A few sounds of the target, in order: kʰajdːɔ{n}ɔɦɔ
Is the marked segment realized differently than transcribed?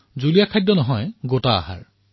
no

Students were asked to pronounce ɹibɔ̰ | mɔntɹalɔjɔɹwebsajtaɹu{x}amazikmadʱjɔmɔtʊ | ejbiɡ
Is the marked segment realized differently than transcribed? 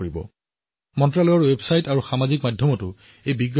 no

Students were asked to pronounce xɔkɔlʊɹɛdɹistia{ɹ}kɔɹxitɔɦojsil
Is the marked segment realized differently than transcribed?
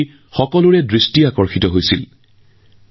yes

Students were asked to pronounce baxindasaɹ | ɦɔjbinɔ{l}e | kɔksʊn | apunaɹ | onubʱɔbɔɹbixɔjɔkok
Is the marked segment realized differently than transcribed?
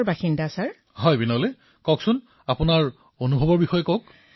no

